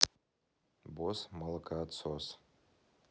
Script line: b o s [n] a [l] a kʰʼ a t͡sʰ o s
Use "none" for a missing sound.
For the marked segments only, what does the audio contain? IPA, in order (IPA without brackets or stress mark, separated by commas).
m, l